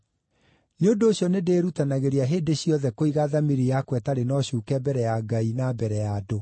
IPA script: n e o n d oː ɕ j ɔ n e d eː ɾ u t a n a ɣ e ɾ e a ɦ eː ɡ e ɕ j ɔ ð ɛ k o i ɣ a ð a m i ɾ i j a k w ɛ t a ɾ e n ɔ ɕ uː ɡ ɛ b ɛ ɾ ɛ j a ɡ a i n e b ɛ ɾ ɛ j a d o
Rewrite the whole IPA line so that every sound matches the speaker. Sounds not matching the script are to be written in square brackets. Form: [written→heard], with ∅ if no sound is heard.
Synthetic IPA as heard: n e o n d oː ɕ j ɔ n e d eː ɾ u t a n a ɣ e ɾ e a ɦ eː [ɡ→d] e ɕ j ɔ ð ɛ k o i ɣ a ð a m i ɾ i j a k w ɛ t a ɾ e n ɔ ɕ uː [ɡ→k] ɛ b ɛ ɾ ɛ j a ɡ a i n [e→a] b ɛ ɾ ɛ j a d o

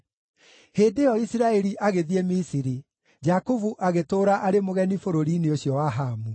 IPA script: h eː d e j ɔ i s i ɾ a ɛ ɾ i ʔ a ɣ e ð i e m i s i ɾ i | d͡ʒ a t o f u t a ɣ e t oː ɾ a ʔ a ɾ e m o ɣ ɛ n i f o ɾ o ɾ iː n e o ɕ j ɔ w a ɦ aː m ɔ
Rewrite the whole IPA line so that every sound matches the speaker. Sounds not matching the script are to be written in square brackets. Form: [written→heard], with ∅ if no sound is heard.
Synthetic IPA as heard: h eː d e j ɔ i s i ɾ a ɛ ɾ i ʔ a ɣ e ð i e m i s i ɾ i | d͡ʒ a [t→k] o [f→v] u [t→ʔ] a ɣ e t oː ɾ a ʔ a ɾ e m o ɣ ɛ n i f o ɾ o ɾ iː n e o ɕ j ɔ w a ɦ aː m [ɔ→u]

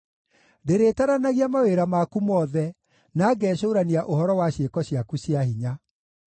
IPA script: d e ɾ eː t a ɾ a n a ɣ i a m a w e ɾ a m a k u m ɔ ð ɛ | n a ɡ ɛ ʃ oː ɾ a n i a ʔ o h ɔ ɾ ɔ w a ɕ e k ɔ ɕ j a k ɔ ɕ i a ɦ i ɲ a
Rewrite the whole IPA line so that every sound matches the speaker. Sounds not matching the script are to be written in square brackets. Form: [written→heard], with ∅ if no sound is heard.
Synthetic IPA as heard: d e ɾ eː t a ɾ a n a ɣ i a m a w e ɾ a m a k u m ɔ ð ɛ | n a ɡ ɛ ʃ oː ɾ a n i a ʔ o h ɔ ɾ ɔ w a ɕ e k ɔ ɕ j a k [ɔ→u] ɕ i a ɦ i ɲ a

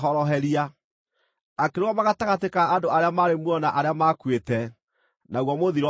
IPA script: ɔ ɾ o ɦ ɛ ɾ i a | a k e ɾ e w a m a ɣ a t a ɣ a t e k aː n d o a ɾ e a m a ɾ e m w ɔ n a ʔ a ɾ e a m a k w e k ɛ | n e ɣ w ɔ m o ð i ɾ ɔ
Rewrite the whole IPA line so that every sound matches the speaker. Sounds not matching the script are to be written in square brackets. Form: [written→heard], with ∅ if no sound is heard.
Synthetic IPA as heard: ɔ ɾ [o→ɔ] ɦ ɛ ɾ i a | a k e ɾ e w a m a ɣ a t a ɣ a t e k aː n d o a ɾ e a m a ɾ e m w ɔ n a ʔ a ɾ e a m a k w e [k→t] ɛ | n [e→a] ɣ w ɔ m o ð i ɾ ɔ

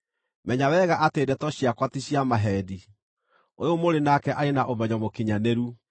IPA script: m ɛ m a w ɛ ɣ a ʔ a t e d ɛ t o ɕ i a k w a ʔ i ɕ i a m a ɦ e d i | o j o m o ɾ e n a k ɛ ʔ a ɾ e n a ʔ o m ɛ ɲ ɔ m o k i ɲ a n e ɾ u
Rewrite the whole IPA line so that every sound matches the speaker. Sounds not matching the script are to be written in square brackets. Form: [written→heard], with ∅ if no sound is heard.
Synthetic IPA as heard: m ɛ [m→ɲ] a w ɛ ɣ a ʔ a t e d ɛ t [o→ɔ] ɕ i a k w a [ʔ→t] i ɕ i a m a ɦ [e→ɛ] d i | o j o m o ɾ e n a k ɛ ʔ a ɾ e n a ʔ o m ɛ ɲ ɔ m o k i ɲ a n e ɾ u

